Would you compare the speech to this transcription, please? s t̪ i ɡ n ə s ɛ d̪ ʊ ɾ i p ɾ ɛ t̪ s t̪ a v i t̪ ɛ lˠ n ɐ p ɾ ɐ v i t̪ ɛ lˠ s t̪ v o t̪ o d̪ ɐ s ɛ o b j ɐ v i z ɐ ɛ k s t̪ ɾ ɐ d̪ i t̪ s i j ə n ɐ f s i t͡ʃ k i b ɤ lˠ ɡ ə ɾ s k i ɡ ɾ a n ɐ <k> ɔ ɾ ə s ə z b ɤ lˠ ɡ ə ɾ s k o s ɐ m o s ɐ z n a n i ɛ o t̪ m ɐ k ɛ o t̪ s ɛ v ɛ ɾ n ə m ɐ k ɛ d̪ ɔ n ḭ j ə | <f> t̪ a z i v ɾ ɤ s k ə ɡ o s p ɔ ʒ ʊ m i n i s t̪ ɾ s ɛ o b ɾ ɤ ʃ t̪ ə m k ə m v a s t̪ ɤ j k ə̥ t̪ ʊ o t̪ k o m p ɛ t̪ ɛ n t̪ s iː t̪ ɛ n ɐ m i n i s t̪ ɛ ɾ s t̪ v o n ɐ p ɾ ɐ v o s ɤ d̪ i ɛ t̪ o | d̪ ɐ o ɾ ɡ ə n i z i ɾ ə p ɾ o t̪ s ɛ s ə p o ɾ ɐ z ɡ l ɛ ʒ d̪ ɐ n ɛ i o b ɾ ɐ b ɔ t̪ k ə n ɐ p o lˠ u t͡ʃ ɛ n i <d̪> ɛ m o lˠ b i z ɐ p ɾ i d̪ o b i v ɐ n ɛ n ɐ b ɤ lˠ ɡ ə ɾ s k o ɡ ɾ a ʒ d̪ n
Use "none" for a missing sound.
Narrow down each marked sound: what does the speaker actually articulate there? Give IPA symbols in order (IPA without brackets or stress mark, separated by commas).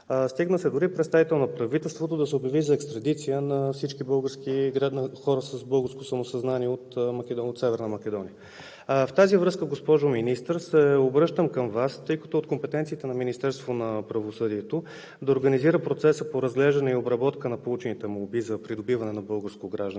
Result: x, f, t̪